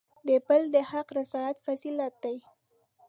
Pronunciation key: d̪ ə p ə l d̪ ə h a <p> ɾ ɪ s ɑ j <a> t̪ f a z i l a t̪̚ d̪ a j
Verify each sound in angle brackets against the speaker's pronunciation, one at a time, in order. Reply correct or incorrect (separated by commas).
incorrect, correct